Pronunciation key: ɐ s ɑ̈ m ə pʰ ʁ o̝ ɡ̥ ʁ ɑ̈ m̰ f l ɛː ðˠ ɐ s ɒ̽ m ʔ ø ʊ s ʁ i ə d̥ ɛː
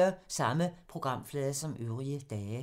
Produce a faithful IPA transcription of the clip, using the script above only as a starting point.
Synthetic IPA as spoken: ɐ s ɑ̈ m ə pʰ ʁ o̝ ɡ̥ ʁ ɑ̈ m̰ f l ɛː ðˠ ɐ s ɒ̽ m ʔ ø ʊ ʁ i ə d̥ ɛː